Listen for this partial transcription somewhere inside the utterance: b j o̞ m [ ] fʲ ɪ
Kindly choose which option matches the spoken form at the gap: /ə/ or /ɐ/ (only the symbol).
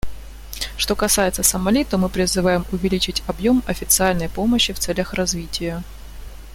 ɐ